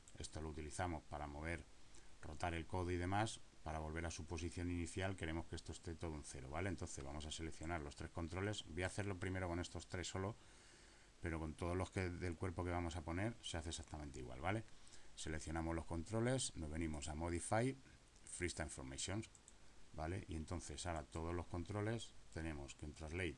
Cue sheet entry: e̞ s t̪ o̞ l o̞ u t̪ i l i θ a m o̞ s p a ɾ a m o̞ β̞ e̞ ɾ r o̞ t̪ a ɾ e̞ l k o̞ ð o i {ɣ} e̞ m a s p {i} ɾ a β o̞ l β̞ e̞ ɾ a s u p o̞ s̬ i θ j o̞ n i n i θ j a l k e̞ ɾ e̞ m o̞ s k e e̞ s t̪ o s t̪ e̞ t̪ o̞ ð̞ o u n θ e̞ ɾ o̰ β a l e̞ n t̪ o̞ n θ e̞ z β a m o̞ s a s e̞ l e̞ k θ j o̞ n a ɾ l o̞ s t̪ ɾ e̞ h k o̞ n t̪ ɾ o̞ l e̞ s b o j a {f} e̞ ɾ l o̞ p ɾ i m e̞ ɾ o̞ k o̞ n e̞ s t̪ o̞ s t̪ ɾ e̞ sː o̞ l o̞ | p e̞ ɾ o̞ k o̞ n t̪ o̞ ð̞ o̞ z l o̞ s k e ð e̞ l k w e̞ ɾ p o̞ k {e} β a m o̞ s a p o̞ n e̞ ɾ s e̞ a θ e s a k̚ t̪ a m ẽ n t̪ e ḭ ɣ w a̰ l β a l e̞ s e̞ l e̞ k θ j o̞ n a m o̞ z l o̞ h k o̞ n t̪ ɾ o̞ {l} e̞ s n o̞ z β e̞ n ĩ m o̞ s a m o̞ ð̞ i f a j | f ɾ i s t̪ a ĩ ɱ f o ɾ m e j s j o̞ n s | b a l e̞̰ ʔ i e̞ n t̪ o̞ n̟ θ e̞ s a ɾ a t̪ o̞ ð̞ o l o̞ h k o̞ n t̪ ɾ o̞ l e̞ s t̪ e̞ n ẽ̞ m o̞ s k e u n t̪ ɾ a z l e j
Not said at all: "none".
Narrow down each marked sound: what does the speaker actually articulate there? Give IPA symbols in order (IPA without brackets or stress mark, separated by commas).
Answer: ð, a, θ, e, l